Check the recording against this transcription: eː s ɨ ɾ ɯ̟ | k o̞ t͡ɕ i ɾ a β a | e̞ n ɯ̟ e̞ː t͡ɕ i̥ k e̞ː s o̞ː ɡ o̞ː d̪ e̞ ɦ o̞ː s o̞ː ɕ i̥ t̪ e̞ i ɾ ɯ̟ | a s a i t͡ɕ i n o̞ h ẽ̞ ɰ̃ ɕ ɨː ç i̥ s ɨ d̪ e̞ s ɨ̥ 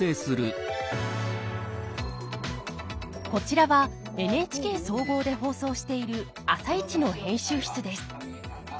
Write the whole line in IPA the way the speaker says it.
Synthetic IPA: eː s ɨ ɾ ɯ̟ | k o̞ t͡ɕ i ɾ a β a | e̞ n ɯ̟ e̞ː t͡ɕ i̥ k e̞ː s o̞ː ɡ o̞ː d̪ e̞ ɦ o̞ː s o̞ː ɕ i̥ t̪ e̞ i ɾ ɯ̟ | a s a i t͡ɕ i n o̞ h ẽ̞ ɰ̃ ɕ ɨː ç i̥ t͡s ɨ d̪ e̞ s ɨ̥